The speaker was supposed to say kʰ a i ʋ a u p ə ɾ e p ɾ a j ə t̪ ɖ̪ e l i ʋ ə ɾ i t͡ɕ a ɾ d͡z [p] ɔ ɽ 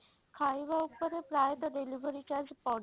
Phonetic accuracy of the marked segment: correct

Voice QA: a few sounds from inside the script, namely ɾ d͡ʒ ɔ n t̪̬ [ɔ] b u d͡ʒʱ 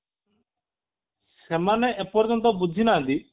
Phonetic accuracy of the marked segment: correct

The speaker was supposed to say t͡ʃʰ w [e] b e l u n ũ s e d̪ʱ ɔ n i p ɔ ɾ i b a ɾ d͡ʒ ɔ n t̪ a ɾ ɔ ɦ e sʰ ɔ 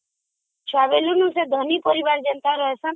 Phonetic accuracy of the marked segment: incorrect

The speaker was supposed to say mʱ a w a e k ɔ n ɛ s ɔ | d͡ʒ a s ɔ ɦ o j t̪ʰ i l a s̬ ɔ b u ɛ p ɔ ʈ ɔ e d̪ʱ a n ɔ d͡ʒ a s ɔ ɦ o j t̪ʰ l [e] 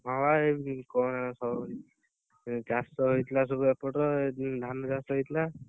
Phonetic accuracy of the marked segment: incorrect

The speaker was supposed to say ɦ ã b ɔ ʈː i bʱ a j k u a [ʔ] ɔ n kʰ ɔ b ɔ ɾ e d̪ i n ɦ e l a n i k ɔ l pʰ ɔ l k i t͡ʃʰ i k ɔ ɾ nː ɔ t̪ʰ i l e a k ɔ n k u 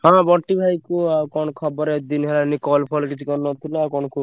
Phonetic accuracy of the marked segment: incorrect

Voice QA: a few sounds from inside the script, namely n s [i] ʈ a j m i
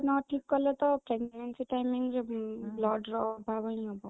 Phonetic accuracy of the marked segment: correct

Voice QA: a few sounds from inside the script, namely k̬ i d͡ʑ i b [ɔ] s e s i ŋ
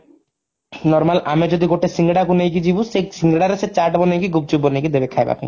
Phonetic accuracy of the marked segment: incorrect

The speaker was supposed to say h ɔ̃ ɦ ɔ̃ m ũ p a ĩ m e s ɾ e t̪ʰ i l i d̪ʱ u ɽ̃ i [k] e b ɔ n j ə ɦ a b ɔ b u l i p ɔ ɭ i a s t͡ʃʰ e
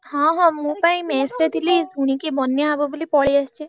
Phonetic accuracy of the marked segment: correct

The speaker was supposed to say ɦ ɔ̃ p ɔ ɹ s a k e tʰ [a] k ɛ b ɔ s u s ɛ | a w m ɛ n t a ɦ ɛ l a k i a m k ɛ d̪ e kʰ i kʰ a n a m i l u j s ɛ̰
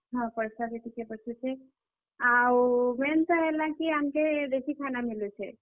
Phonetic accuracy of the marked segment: incorrect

